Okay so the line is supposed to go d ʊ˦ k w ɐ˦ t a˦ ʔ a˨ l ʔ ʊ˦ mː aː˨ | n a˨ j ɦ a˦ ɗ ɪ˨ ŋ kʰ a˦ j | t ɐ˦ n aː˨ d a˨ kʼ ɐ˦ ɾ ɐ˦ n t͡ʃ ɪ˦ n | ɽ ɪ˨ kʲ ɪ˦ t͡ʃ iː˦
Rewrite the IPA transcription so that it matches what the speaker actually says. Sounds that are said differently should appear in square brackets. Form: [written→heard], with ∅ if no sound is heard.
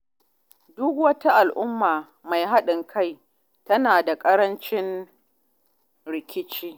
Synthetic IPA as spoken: d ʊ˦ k w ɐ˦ t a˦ ʔ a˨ l ʔ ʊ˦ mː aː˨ | [n→m] a˨ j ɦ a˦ ɗ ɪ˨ ŋ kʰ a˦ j | t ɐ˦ n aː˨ d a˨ kʼ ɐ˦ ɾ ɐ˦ n t͡ʃ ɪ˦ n | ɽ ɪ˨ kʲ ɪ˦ t͡ʃ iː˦